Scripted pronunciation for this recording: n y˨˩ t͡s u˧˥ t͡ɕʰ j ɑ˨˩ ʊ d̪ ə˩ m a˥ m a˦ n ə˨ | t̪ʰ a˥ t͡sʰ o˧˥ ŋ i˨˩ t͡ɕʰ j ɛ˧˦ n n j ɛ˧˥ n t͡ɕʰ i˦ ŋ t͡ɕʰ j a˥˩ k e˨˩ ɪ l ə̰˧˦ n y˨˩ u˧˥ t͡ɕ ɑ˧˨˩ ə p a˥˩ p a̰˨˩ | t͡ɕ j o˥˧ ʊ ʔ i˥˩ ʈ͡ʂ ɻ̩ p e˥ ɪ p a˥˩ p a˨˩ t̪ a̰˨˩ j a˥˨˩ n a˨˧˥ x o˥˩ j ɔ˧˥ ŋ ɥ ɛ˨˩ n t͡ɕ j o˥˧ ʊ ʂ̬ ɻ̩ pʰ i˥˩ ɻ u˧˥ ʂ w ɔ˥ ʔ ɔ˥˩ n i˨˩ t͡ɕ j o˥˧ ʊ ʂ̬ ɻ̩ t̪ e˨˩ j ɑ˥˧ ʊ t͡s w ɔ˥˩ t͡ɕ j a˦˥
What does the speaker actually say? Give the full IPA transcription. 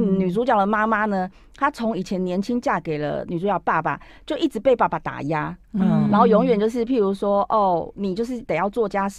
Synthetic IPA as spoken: n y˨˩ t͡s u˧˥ t͡ɕ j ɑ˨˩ ʊ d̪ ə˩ m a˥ m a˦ n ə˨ | t̪ʰ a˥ t͡sʰ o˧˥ ŋ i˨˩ t͡ɕʰ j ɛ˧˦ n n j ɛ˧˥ n t͡ɕʰ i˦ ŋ t͡ɕ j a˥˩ k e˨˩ ɪ l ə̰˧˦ n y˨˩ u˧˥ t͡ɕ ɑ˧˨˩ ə p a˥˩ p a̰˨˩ | t͡ɕ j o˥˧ ʊ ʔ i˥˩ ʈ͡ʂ ɻ̩ p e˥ ɪ p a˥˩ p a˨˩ t̪ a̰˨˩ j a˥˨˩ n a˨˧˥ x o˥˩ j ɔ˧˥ ŋ ɥ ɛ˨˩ n t͡ɕ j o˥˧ ʊ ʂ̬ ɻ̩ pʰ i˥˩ ɻ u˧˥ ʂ w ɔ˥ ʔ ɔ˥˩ n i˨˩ t͡ɕ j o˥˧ ʊ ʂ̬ ɻ̩ t̪ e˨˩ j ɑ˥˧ ʊ t͡s w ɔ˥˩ t͡ɕ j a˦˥